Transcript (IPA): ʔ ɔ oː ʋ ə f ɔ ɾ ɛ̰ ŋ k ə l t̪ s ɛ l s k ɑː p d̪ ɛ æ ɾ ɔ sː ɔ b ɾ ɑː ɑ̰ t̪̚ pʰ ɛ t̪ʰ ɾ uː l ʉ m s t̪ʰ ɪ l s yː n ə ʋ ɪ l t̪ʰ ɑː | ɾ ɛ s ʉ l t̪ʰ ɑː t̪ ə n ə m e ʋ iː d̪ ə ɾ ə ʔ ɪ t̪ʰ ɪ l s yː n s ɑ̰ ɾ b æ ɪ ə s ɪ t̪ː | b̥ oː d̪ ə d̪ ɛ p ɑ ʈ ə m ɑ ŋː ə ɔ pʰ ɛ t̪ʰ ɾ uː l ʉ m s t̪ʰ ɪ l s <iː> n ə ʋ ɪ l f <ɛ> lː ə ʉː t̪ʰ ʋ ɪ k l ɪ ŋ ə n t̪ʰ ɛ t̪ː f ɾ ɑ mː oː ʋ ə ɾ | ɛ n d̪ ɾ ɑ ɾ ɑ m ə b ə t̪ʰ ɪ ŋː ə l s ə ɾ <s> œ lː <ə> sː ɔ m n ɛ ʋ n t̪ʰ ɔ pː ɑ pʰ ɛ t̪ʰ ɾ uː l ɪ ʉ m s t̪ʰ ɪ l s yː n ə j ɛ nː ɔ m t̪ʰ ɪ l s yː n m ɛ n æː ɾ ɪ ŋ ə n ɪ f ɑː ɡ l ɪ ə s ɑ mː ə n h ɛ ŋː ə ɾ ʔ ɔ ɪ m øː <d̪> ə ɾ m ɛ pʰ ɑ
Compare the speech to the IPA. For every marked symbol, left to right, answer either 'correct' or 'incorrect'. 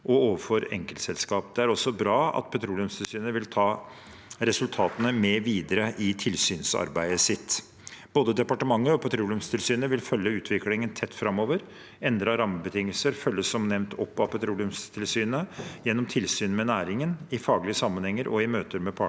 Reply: incorrect: yː, incorrect: œ, incorrect: f, correct, incorrect: t̪

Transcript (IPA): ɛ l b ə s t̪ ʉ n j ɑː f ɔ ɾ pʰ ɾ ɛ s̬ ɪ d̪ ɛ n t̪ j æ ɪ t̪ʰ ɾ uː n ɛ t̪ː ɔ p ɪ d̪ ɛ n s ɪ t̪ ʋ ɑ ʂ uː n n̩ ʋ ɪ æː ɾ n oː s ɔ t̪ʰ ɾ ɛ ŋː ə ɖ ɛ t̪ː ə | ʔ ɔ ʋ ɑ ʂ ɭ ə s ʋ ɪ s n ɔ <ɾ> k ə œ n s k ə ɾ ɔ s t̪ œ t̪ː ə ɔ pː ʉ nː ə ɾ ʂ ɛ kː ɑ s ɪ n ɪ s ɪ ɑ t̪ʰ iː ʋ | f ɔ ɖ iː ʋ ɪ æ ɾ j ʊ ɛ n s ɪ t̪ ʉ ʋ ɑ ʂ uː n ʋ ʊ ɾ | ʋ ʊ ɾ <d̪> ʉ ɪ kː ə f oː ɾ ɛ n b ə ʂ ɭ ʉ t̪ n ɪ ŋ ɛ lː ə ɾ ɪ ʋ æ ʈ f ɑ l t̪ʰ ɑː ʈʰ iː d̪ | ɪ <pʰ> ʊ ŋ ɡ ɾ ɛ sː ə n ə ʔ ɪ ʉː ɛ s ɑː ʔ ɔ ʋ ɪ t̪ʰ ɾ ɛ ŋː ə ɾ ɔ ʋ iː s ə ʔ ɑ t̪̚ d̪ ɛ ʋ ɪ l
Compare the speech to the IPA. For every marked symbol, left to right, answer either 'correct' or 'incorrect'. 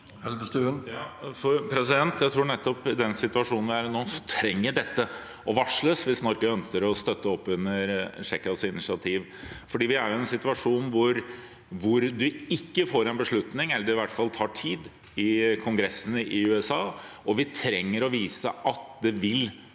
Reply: correct, correct, incorrect: kʰ

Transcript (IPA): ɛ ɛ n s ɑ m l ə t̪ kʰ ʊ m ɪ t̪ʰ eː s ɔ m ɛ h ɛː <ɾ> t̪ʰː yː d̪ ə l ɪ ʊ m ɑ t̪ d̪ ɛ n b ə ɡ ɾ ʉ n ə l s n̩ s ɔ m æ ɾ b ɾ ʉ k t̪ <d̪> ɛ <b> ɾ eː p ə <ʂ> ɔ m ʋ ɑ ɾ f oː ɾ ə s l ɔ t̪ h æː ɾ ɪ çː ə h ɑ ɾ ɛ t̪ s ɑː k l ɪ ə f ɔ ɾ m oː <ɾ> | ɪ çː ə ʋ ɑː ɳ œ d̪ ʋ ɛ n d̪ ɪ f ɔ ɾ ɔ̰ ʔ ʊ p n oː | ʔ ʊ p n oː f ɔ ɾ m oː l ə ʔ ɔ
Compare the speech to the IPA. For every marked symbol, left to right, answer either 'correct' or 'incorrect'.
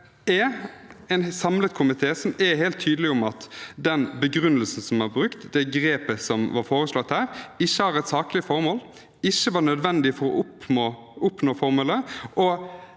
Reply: incorrect: l, correct, incorrect: ɡ, incorrect: s, incorrect: l

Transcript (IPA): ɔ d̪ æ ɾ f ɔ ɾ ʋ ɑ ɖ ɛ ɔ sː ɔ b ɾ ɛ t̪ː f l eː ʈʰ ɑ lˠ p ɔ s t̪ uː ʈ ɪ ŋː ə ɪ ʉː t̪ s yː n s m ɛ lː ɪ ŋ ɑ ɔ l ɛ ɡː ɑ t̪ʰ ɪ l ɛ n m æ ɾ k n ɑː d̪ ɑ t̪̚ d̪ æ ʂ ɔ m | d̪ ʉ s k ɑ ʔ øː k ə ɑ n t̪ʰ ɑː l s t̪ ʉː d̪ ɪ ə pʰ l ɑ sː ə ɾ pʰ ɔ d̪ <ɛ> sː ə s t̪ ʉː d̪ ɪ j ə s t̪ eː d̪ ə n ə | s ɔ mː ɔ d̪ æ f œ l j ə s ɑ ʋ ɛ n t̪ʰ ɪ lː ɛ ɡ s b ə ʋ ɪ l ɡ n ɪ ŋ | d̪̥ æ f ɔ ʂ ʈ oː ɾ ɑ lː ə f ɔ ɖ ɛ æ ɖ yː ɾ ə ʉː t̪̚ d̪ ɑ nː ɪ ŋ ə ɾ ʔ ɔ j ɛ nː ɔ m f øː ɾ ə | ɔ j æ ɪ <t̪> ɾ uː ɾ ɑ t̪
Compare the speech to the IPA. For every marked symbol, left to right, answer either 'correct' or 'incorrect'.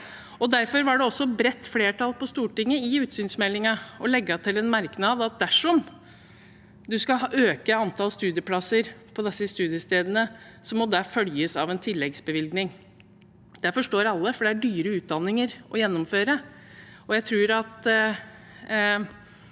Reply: correct, incorrect: t̪ʰ

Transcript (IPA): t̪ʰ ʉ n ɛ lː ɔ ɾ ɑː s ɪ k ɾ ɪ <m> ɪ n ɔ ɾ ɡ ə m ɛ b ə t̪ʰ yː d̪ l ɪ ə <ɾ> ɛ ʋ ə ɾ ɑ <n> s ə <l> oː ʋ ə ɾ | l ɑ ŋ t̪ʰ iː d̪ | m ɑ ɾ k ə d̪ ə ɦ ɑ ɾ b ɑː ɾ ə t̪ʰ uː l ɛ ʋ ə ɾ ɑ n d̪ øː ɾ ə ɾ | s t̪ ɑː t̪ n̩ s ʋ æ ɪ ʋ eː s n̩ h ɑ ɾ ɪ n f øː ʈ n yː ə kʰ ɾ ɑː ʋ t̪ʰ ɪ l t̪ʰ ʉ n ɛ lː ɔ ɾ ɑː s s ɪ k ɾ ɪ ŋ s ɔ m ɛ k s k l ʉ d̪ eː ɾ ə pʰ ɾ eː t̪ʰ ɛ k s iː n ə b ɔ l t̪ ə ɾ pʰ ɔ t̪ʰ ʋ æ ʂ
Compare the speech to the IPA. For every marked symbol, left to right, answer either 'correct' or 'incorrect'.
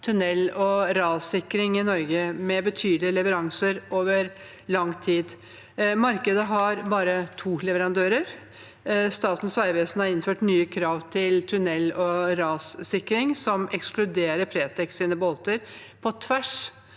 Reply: incorrect: ŋ, incorrect: l, incorrect: ŋ, incorrect: ɾ

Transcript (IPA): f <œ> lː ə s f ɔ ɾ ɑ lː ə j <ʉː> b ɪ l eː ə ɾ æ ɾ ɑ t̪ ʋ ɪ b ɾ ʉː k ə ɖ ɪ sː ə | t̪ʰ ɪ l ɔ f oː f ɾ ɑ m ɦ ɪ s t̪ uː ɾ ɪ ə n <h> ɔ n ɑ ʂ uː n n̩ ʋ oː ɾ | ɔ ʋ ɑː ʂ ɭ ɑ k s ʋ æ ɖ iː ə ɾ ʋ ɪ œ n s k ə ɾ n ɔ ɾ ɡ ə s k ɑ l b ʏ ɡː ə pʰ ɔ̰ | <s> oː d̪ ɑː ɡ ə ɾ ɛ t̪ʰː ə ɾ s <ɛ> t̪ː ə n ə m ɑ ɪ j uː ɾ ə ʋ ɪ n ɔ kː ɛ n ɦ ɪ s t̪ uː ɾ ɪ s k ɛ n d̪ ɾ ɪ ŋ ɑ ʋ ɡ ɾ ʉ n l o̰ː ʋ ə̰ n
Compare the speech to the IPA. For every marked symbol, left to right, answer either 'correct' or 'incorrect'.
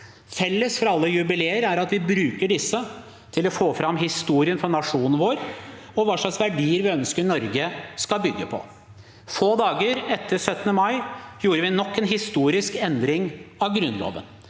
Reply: incorrect: ɛ, incorrect: ʉ, incorrect: f, incorrect: f, incorrect: œ

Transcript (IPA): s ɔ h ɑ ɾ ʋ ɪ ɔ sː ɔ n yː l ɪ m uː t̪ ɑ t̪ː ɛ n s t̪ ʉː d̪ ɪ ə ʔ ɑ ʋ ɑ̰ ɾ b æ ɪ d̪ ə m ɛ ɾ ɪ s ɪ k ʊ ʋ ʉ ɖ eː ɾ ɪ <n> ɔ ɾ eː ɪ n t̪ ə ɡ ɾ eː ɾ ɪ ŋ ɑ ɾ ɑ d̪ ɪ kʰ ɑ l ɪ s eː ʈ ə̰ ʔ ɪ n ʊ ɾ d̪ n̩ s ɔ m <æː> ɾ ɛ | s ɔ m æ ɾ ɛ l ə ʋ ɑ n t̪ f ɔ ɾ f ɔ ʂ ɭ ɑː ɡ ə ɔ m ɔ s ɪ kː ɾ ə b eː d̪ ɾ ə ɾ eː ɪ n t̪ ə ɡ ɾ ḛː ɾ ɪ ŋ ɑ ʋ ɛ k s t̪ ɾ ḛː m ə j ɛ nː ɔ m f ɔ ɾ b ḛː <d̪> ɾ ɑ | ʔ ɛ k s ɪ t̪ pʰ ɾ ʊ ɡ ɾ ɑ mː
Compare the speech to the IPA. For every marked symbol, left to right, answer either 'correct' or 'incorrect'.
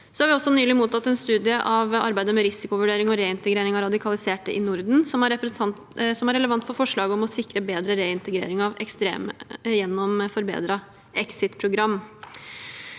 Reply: incorrect: ŋ, incorrect: æ, correct

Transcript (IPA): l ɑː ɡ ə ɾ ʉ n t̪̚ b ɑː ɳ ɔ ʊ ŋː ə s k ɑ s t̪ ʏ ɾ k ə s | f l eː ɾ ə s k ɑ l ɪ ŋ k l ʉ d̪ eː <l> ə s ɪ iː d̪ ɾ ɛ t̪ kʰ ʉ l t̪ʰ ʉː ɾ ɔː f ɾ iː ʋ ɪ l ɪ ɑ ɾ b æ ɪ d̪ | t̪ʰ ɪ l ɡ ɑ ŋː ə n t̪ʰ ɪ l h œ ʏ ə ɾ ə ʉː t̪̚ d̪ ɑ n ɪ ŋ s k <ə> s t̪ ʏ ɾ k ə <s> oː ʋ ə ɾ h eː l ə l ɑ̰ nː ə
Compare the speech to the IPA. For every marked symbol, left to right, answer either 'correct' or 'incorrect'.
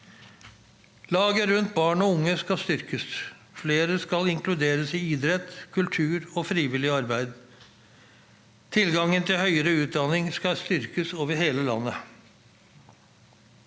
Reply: incorrect: ɾ, incorrect: ɑ, correct

